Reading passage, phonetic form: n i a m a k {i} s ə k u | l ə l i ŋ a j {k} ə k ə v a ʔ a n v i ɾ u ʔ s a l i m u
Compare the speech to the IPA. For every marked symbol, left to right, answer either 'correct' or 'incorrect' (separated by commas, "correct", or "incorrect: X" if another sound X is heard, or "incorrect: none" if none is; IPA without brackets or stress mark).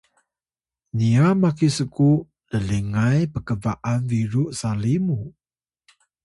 correct, incorrect: p